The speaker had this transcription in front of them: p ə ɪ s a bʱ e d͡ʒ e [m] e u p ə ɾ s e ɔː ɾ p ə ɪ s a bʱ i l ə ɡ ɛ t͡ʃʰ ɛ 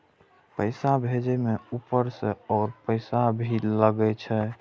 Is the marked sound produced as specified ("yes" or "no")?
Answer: yes